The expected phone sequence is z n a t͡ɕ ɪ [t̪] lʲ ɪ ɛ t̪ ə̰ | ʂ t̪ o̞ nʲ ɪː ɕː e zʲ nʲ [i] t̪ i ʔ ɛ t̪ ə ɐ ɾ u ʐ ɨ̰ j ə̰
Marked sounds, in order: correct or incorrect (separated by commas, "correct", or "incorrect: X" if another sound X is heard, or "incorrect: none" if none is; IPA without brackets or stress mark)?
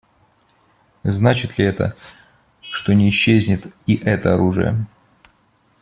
correct, incorrect: ɪ